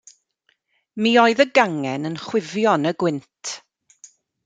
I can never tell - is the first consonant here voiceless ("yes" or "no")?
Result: no